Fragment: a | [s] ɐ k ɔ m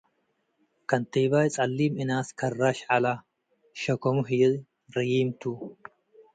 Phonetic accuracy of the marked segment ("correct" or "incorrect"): incorrect